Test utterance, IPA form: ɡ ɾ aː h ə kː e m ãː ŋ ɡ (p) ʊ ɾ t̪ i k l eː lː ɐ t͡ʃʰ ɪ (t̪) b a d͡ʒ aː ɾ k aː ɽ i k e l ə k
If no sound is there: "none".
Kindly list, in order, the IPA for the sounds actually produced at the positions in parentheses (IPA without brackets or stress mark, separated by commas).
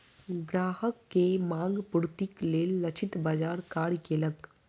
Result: p, t̪